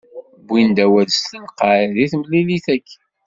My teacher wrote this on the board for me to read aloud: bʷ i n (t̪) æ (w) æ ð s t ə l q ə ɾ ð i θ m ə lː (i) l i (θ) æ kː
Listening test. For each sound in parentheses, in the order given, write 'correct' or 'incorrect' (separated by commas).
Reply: incorrect, correct, correct, correct